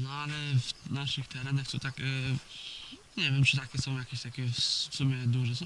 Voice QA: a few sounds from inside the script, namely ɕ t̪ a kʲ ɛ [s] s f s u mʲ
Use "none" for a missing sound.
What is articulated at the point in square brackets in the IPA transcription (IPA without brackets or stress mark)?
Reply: f